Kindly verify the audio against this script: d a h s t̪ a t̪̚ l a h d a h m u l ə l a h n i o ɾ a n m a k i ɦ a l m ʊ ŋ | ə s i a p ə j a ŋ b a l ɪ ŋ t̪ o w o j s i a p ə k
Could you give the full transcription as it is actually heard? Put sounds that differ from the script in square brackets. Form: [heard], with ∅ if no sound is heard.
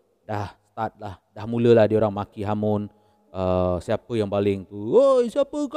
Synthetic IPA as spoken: d a h s t̪ a t̪̚ l a h d a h m u l ə l a h [d] i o ɾ a [ŋ] m a k i ɦ a [∅] m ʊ [n] | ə s i a p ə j a ŋ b a l ɪ ŋ t̪ [u] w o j s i a p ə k